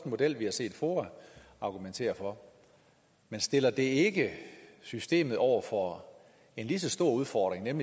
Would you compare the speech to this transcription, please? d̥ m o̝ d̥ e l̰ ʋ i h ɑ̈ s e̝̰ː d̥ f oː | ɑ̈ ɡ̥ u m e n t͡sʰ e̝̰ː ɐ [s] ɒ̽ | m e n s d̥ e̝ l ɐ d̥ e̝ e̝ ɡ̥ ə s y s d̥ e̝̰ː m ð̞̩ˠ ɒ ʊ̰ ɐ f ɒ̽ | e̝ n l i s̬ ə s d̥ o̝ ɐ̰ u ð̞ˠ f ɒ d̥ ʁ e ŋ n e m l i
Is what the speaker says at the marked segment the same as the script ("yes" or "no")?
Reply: no